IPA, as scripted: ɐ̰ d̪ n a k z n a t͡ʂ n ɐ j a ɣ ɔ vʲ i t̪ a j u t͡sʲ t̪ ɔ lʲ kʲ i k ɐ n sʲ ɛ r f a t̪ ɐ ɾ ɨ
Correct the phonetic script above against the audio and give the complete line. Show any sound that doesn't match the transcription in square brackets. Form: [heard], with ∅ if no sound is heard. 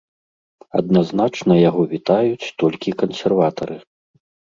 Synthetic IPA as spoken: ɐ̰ d̪ n a [∅] z n a t͡ʂ n ɐ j a ɣ ɔ vʲ i t̪ a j u t͡sʲ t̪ ɔ lʲ kʲ i k ɐ n sʲ ɛ r [v] a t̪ ɐ ɾ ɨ